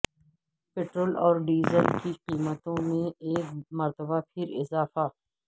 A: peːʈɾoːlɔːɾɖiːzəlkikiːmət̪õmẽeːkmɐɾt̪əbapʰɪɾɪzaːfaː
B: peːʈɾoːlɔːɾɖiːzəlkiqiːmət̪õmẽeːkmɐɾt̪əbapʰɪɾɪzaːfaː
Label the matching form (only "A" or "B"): B